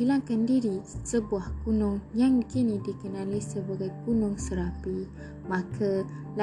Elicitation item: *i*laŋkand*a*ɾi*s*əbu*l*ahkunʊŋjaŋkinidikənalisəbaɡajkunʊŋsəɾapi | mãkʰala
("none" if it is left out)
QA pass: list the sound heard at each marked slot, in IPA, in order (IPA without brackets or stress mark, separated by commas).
i, i, s, none